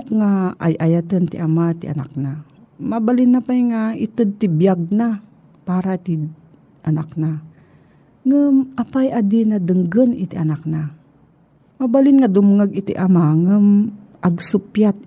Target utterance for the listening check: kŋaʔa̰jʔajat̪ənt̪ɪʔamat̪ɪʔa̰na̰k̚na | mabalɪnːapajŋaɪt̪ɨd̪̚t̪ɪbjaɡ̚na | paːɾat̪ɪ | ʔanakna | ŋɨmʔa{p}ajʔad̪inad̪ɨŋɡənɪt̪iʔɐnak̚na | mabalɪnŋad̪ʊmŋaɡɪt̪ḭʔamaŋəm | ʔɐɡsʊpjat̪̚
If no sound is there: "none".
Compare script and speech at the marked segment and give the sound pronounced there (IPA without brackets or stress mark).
p